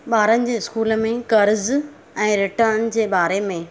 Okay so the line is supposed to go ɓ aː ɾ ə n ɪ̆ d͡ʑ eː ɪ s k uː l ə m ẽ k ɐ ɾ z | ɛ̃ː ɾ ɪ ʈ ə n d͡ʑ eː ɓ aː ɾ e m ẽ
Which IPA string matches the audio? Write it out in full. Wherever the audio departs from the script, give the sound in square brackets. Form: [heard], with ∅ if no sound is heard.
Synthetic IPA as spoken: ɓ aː ɾ ə n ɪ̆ d͡ʑ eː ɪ s k uː l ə m ẽ k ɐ ɾ z | ɛ̃ː ɾ ɪ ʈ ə n d͡ʑ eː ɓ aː ɾ e m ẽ

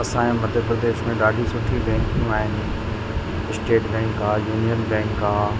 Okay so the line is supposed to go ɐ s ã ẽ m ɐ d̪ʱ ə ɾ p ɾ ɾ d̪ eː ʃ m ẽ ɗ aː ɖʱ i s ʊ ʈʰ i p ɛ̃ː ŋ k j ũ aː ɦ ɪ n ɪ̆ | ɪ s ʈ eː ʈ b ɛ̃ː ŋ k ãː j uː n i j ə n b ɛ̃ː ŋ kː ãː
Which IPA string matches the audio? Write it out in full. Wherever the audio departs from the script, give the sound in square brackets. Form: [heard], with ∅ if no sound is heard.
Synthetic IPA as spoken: ɐ s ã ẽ m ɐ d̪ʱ ə ɾ p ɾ ɾ d̪ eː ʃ m ẽ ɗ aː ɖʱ i s ʊ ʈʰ i [b] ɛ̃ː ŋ k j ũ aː ɦ ɪ n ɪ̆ | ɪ s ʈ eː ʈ b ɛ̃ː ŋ k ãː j uː n i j ə n b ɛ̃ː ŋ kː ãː

